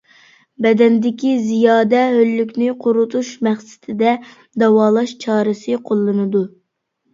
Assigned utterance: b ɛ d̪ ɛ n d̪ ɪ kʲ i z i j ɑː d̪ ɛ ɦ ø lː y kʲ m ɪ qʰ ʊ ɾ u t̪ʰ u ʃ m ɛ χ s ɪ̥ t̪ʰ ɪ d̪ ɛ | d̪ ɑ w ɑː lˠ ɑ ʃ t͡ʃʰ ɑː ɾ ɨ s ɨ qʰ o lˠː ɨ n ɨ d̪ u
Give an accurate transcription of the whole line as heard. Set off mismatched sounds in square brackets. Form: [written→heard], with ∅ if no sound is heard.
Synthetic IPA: b ɛ d̪ ɛ n d̪ ɪ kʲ i z i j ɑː d̪ ɛ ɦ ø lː y kʲ [m→n] ɪ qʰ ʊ ɾ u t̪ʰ u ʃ m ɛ χ s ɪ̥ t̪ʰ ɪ d̪ ɛ | d̪ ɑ w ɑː lˠ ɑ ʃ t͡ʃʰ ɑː ɾ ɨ s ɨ qʰ o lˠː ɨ n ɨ d̪ u